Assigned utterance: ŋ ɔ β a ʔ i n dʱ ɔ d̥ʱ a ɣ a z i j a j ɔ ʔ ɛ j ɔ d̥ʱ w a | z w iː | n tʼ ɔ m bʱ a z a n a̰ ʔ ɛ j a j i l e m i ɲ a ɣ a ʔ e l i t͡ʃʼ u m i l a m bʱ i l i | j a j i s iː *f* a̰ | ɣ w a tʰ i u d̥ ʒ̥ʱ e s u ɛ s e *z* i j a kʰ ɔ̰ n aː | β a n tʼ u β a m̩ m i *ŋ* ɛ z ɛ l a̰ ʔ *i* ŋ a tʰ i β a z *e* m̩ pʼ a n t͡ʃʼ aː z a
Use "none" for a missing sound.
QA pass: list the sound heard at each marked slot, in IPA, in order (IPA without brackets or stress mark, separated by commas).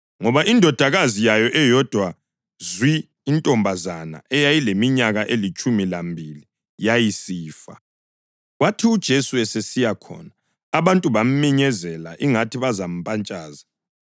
f, s, ɲ, i, a